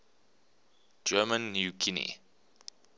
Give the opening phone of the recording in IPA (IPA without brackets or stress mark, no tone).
d͡ʒ